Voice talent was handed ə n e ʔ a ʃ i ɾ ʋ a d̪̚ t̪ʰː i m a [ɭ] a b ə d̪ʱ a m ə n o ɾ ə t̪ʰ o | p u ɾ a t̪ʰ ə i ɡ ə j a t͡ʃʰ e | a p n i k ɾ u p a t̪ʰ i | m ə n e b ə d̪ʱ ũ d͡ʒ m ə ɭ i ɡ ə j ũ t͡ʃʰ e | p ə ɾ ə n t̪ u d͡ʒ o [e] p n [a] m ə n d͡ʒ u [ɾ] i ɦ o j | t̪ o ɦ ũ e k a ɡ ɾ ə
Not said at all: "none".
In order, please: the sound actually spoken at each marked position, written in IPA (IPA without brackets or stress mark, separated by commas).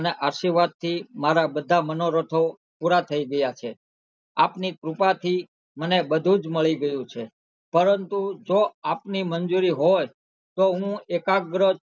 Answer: ɾ, a, i, ɾ